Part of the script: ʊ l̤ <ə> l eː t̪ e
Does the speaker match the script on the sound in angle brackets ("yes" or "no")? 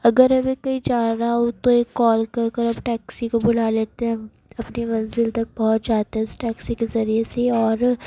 no